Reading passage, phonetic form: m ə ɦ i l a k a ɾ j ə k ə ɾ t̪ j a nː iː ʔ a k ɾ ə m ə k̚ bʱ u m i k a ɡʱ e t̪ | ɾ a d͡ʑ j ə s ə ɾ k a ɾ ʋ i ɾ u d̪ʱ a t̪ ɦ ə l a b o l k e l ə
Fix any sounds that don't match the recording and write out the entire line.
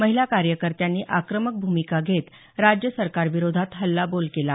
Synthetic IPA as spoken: m ə ɦ i l a k a ɾ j ə k ə ɾ t̪ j a nː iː ʔ a k ɾ ə m ə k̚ bʱ u m i k a ɡʱ e t̪ | ɾ a d͡ʑ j ə s ə ɾ k a ɾ ʋ i ɾ o d̪ʱ a t̪ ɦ ə lː a b o l k e l a

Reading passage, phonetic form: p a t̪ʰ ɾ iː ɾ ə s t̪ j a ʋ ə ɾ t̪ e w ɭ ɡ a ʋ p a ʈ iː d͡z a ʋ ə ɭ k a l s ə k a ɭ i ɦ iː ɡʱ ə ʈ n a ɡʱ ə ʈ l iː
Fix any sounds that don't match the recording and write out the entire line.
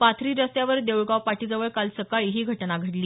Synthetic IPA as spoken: p a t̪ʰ ɾ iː ɾ ə s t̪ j a ʋ ə ɾ d̪ e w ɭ ɡ a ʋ p a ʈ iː d͡z ə ʋ ə ɭ k a l s ə k a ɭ i ɦ iː ɡʱ ə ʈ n a ɡʱ ə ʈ l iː

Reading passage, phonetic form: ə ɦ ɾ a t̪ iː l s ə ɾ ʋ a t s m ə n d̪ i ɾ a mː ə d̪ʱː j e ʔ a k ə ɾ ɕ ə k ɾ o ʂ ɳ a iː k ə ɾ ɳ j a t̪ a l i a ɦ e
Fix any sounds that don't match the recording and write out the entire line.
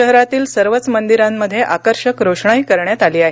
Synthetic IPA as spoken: ə ɦ ɾ a t̪ iː l s ə ɾ ʋ ə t t͡s m ə n d̪ i ɾ a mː ə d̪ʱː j e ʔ a k ə ɾ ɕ ə k ɾ o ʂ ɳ a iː k ə ɾ ɳ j a t̪ a l iː a ɦ e

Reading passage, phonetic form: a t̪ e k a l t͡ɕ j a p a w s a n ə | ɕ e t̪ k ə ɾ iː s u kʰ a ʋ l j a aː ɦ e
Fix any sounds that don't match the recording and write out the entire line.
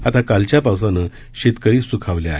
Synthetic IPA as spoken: a t̪ a k a l t͡ɕ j a p a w s a n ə | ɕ e t̪ k ə ɾ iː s u kʰ a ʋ l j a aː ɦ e

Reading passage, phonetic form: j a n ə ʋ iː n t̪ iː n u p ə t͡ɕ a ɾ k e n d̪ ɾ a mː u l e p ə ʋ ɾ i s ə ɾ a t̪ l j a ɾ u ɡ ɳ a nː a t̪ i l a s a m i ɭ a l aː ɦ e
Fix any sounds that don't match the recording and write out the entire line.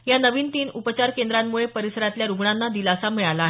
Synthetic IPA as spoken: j a n ə ʋ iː n t̪ iː n u p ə t͡ɕ a ɾ k e n d̪ ɾ a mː u ɭ e p ə ɾ i s ə ɾ a t̪ l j a ɾ u ɡ ɳ a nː a d̪ i l a s a m i ɭ a l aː ɦ e

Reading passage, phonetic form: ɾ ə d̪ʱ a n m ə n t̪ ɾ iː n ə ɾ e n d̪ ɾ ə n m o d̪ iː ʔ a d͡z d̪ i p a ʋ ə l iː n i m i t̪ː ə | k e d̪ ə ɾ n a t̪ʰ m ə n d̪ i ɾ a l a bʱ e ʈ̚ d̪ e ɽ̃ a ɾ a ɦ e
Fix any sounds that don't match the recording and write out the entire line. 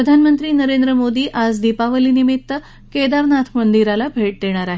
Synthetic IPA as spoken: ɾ ə d̪ʱ a n m ə n t̪ ɾ iː n ə ɾ e n d̪ ɾ ə m o d̪ iː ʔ a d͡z d̪ i p a ʋ ə l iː n i m i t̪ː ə | k e d̪ a ɾ n a t̪ʰ m ə n d̪ i ɾ a l a bʱ e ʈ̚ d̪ e ɽ̃ a ɾ a ɦ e

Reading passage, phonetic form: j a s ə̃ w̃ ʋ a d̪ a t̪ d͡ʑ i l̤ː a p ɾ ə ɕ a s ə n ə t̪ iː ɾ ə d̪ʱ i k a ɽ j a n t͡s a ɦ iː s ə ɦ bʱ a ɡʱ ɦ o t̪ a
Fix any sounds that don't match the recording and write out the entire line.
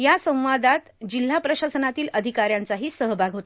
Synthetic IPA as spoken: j a s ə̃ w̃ ʋ a d̪ a t̪ d͡ʑ i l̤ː a p ɾ ə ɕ a s ə n a t̪ iː l ə d̪ʱ i k a ɾ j a n t͡s a ɦ iː s ə ɦ bʱ a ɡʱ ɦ o t̪ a

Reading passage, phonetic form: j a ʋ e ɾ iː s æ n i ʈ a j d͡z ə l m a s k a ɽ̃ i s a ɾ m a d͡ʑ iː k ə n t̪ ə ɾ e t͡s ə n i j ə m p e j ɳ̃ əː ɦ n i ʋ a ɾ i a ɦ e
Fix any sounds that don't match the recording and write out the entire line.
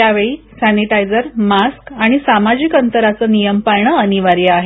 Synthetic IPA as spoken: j a ʋ e ɭ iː s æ n i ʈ a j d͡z ə ɾ m a s k a ɽ̃ i s a m a d͡ʑ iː k ə n t̪ ə ɾ a t͡s ə n i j ə m p a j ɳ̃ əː n i ʋ a ɾ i a ɦ e

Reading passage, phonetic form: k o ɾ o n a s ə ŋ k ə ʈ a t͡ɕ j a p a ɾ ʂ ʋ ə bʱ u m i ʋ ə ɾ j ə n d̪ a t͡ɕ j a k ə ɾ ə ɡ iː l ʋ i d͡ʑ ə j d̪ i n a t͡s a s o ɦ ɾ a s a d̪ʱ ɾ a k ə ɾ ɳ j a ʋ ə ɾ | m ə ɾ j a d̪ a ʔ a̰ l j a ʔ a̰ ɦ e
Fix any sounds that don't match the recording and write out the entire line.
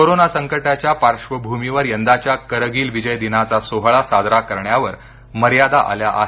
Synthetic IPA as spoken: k o ɾ o n a s ə ŋ k ə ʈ a t͡ɕ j a p a ɾ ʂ ʋ ə bʱ u m i ʋ ə ɾ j ə n d̪ a t͡ɕ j a k ə ɾ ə ɡ iː l ʋ i d͡ʑ ə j d̪ i n a t͡s a s o ɦ ɭ a s a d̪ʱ ɾ a k ə ɾ ɳ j a ʋ ə ɾ | m ə ɾ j a d̪ a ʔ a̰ l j a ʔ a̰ ɦ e

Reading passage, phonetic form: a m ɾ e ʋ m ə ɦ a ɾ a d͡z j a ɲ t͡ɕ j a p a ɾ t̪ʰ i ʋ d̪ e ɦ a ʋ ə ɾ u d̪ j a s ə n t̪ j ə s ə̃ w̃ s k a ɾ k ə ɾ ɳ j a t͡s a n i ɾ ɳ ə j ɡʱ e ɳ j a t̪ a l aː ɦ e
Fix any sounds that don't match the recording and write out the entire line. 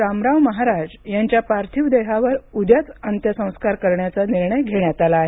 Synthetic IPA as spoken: a m ɾ a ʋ m ə ɦ a ɾ a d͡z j a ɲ t͡ɕ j a p a ɾ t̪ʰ i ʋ d̪ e ɦ a ʋ ə ɾ u d̪ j a t͡s ə n t̪ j ə s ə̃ w̃ s k a ɾ k ə ɾ ɳ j a t͡s a n i ɾ ɳ ə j ɡʱ e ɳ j a t̪ a l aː ɦ e

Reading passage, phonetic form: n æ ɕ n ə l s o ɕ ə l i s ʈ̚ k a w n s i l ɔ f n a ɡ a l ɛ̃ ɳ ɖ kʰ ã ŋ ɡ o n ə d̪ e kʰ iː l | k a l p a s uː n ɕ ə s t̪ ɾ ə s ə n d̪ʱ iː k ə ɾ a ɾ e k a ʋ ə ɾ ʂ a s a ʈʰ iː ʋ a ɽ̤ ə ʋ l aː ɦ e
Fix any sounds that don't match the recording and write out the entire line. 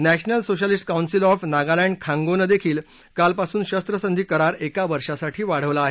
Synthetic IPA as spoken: n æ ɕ n ə l s o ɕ ə l i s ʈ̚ k a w n s i l ɔ f n a ɡ a l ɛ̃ ɳ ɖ kʰ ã ŋ ɡ o n ə d̪ e kʰ iː l | k a l p a s uː n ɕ ə s t̪ ɾ ə s ə n d̪ʱ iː k ə ɾ a ɾ e k a ʋ ə ɾ ʂ a s a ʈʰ iː ʋ a ɽ̤ ə ʋ l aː ɦ e

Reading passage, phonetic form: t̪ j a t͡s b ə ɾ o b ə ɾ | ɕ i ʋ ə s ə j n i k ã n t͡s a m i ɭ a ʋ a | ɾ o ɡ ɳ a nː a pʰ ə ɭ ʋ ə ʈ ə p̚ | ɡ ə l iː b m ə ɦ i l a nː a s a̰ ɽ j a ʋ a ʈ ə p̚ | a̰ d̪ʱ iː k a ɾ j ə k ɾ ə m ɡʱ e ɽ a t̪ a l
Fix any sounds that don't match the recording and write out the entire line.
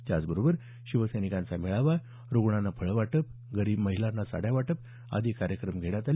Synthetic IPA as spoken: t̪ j a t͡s b ə ɾ o b ə ɾ | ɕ i ʋ ə s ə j n i k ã n t͡s a m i ɭ a ʋ a | ɾ o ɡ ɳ a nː a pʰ ə ɭ ʋ a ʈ ə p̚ | ɡ ə ɾ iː b m ə ɦ i l a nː a s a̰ ɽ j a ʋ a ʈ ə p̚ | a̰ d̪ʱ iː k a ɾ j ə k ɾ ə m ɡʱ e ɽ a t̪ a l

